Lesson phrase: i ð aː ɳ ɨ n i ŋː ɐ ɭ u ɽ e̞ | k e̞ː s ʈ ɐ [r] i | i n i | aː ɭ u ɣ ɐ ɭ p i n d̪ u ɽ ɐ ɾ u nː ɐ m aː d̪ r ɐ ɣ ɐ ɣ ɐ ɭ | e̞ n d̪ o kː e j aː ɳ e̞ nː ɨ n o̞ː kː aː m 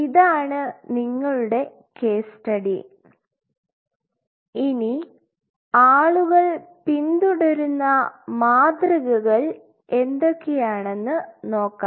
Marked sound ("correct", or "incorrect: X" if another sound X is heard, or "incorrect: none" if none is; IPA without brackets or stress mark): incorrect: ɽ